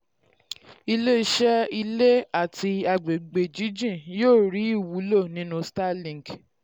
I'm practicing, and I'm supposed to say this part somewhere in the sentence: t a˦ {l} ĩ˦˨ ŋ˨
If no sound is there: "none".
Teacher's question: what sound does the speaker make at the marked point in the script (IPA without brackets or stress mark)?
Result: l